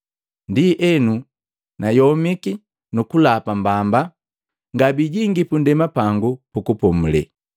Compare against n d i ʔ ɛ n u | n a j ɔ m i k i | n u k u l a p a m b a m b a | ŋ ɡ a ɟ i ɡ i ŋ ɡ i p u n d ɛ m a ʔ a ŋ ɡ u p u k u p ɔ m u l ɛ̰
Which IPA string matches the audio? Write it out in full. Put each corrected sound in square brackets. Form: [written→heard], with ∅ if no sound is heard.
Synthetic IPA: n d i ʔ ɛ n u | n a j ɔ m i k i | n u k u l a p a m b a m b a | ŋ ɡ a [ɟ→b] i [ɡ→ɟ] i ŋ ɡ i p u n d ɛ m a [ʔ→p] a ŋ ɡ u p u k u p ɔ m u l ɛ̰